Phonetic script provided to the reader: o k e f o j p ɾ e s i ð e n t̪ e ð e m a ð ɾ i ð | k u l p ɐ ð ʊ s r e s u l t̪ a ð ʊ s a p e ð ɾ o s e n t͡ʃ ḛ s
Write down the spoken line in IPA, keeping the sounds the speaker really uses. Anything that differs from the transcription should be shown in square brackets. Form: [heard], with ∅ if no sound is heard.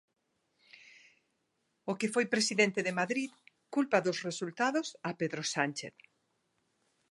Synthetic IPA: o k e f o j p ɾ e s i ð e n t̪ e ð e m a ð ɾ i ð | k u l p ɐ ð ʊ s r e s u l t̪ a ð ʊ s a p e ð ɾ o s [a] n t͡ʃ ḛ [θ]

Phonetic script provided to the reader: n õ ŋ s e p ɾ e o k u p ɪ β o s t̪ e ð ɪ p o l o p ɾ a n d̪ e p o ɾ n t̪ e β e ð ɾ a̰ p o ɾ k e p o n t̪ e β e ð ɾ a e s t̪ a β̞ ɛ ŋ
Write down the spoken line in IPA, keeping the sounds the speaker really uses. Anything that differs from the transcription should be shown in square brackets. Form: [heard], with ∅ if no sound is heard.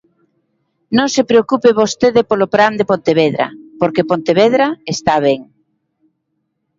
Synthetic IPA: n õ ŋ s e p ɾ e o k u p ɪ β o s t̪ e ð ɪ p o l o p ɾ a n d̪ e p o [∅] n t̪ e β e ð ɾ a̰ p o ɾ k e p o n t̪ e β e ð ɾ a e s t̪ a β̞ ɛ ŋ

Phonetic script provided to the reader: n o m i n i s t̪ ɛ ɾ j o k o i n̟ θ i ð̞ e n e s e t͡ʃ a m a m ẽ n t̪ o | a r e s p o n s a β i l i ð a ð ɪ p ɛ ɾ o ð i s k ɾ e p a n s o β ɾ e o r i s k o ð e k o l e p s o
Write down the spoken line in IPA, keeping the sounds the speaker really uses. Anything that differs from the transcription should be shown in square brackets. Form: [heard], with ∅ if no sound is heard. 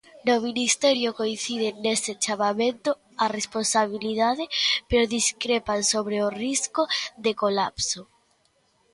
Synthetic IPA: n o m i n i s t̪ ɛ ɾ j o k o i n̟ θ i ð̞ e n e s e t͡ʃ a m a m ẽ n t̪ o | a r e s p o n s a β i l i ð a ð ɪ p [e] ɾ o ð i s k ɾ e p a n s o β ɾ e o r i s k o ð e k o l [a] p s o

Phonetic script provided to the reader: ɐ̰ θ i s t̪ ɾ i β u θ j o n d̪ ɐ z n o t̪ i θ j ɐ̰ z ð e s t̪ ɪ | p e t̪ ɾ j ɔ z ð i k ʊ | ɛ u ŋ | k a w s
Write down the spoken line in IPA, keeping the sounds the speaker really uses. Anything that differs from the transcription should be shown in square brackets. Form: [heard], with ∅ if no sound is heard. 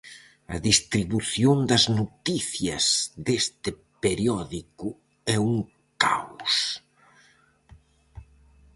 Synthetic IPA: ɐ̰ [ð] i s t̪ ɾ i β u θ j o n d̪ ɐ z n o t̪ i θ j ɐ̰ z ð e s t̪ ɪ | p e [∅] ɾ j ɔ [∅] ð i k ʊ | ɛ u ŋ | k a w s

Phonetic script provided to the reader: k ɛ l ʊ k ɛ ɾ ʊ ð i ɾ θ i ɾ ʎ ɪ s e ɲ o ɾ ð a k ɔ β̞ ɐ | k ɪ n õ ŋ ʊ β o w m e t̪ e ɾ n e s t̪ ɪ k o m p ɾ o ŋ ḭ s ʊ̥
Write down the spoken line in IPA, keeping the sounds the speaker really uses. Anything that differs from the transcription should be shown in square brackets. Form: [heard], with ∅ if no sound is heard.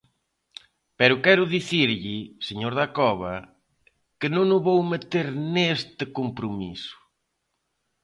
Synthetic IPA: [p] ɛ [ɾ] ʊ k ɛ ɾ ʊ ð i [∅] θ i ɾ ʎ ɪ s e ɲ o ɾ ð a k ɔ β̞ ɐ | k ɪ n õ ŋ ʊ β o w m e t̪ e ɾ n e s t̪ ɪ k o m p ɾ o [m] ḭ s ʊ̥

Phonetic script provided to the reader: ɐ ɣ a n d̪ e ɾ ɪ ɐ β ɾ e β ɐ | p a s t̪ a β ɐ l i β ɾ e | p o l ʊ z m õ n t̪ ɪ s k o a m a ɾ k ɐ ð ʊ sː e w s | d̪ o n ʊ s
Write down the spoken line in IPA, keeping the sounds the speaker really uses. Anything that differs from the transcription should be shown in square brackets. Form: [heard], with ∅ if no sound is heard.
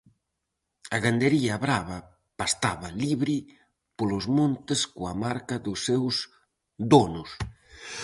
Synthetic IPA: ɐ ɣ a n d̪ e ɾ [i] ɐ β ɾ [a] β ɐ | p a s t̪ a β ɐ l i β ɾ [i] | p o l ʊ z m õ n t̪ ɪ s k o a m a ɾ k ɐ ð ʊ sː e w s | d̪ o n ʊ s

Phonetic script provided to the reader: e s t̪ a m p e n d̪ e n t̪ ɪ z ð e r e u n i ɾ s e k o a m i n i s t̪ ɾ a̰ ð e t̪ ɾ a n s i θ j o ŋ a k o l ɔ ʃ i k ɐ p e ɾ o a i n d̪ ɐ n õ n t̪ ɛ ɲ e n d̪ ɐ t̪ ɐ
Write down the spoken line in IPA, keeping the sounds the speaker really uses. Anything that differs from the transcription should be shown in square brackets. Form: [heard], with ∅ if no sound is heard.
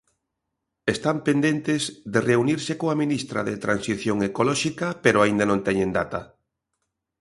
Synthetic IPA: e s t̪ a m p e n d̪ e n t̪ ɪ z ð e r e u n i ɾ s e k o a m i n i s t̪ ɾ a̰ ð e t̪ ɾ a n s i θ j o ŋ [e] k o l ɔ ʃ i k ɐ p e ɾ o a i n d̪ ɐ n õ n t̪ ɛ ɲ e n d̪ [a] t̪ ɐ

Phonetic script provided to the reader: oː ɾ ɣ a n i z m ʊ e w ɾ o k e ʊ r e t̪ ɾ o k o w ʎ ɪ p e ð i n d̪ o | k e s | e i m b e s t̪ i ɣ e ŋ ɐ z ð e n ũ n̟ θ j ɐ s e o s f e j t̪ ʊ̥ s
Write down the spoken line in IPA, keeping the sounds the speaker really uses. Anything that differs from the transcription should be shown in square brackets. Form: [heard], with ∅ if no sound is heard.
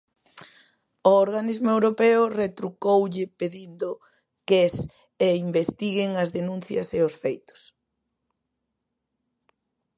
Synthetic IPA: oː ɾ ɣ a n i z m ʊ e w ɾ o [p] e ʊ r e t̪ ɾ [u] k o w ʎ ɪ p e ð i n d̪ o | k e s | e i m b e s t̪ i ɣ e ŋ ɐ z ð e n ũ n̟ θ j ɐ s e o s f e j t̪ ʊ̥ s

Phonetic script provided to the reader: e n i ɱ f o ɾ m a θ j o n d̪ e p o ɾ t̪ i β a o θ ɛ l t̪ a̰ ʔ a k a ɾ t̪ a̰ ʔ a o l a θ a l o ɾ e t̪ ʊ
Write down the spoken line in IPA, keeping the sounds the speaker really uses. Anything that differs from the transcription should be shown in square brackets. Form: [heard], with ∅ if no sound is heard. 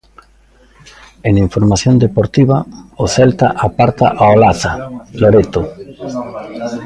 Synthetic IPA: e n i ɱ f o ɾ m a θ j o n d̪ e p o ɾ t̪ i β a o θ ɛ l t̪ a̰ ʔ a [p] a ɾ t̪ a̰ ʔ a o l a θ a l o ɾ e t̪ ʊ

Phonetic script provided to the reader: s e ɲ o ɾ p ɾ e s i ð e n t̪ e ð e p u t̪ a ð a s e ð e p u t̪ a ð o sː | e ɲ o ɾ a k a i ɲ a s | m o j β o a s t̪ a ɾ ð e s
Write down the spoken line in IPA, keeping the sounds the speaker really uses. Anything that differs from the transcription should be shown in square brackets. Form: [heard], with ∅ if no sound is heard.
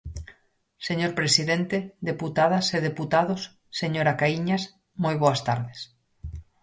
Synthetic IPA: s e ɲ o ɾ p ɾ e s i ð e n t̪ e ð e p u t̪ a ð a s e ð e p u t̪ a ð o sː | e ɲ o ɾ a k a i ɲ a s | m o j β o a s t̪ a ɾ ð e s

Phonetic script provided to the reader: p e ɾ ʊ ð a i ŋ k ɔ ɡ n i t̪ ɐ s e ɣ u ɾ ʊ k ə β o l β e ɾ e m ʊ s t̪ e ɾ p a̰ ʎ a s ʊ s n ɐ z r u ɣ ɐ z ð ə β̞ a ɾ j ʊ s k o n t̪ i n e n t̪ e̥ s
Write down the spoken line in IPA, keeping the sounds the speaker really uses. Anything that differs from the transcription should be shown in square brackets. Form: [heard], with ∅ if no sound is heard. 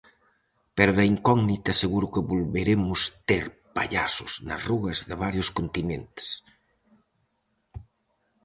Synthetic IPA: p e ɾ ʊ ð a i ŋ k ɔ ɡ n i t̪ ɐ s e ɣ u ɾ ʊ k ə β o l β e ɾ e m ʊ s t̪ e ɾ p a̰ ʎ a s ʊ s n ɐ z r u ɣ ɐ z ð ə β̞ a ɾ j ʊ s k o n t̪ i n e n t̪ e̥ s

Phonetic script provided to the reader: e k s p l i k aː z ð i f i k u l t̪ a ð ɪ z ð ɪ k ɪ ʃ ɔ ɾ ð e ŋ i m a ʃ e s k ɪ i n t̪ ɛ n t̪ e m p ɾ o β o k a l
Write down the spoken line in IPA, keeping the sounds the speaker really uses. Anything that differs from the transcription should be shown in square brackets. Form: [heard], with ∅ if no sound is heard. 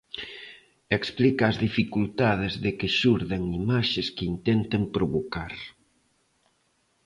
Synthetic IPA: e k s p l i k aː z ð i f i k u l t̪ a ð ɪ z ð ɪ k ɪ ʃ [u] ɾ ð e ŋ i m a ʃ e s k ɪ i n t̪ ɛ n t̪ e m p ɾ o β o k a [ɾ]

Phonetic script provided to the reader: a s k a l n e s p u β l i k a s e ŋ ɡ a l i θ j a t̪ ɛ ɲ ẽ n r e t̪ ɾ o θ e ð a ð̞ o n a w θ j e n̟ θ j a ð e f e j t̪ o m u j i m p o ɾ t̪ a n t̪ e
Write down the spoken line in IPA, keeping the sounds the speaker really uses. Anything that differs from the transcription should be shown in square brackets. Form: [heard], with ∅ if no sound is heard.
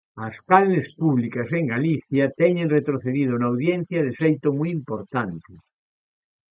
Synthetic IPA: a s k a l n e s p u β l i k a s e ŋ ɡ a l i θ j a t̪ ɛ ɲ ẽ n r e t̪ ɾ o θ e ð [i] ð̞ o n a w [ð] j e n̟ θ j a ð e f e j t̪ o m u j i m p o ɾ t̪ a n t̪ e

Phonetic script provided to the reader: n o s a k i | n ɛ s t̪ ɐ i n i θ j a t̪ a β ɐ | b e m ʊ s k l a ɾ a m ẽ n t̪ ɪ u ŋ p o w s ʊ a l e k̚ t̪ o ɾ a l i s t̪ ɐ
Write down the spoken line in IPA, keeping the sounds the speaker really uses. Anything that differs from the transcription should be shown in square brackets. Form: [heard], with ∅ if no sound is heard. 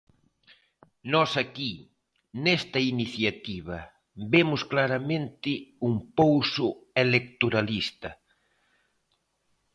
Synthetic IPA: n [ɔ] s a k i | n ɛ s t̪ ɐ i n i θ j a t̪ [i] β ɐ | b e m ʊ s k l a ɾ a m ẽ n t̪ ɪ u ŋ p o w s ʊ [e] l e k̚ t̪ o ɾ a l i s t̪ ɐ

